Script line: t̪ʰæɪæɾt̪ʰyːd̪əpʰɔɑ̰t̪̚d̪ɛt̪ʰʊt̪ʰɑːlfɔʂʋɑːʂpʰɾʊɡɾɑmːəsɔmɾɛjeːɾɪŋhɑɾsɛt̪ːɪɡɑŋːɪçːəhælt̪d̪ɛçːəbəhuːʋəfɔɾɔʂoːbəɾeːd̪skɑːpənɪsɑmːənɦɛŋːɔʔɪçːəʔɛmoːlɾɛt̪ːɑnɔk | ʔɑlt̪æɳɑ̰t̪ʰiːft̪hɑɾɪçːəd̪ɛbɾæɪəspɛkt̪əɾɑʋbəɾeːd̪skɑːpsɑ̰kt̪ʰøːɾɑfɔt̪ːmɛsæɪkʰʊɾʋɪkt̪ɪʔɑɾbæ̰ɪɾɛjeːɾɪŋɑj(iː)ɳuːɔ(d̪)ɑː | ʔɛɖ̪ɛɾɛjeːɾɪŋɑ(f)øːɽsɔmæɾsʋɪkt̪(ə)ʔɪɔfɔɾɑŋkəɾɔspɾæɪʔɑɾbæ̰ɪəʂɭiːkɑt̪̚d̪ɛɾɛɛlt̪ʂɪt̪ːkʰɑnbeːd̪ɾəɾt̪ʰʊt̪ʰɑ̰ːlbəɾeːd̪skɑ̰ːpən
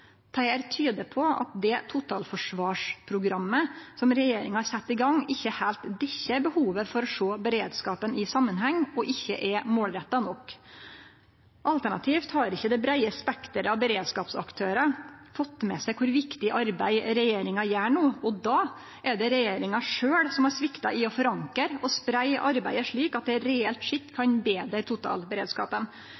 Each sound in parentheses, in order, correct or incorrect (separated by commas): incorrect, correct, incorrect, incorrect